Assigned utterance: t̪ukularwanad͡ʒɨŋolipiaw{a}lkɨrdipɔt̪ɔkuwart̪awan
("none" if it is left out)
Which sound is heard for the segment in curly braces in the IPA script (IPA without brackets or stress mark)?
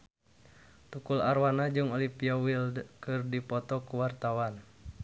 i